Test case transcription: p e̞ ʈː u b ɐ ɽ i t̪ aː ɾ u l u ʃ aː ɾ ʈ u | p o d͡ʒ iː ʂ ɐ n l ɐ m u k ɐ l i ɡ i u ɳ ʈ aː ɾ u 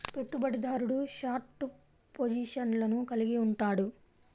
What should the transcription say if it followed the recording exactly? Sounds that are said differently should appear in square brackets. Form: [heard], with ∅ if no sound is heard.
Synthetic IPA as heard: p e̞ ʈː u b ɐ ɽ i [d̪] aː ɾ u [ɽ] u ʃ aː ɾ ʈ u | p o d͡ʒ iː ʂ ɐ n l ɐ [n] u k ɐ l i ɡ i u ɳ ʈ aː [ɽ] u